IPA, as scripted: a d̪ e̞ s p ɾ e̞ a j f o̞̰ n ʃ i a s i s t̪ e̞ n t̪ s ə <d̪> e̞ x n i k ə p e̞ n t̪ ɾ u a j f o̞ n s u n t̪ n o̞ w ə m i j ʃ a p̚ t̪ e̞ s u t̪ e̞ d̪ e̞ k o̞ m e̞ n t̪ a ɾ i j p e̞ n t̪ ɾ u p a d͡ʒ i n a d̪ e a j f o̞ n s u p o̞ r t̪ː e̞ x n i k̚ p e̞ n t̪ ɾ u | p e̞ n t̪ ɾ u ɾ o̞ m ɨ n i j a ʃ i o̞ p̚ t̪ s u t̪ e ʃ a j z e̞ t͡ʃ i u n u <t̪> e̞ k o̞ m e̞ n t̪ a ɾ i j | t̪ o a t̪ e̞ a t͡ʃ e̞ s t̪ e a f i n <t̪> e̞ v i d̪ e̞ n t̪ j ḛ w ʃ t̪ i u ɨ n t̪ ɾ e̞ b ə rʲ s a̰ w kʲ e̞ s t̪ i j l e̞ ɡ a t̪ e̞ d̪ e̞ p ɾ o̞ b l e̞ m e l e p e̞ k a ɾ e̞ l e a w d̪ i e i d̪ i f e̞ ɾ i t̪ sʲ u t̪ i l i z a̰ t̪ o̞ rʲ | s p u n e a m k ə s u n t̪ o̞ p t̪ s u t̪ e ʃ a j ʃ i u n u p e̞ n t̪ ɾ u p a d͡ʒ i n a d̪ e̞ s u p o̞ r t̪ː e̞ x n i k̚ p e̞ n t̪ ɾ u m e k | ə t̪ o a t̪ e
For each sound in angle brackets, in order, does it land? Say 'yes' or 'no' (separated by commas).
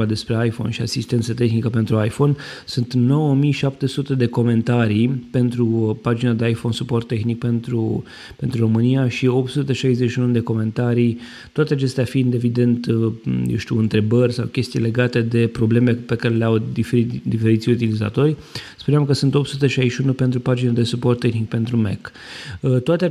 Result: no, no, no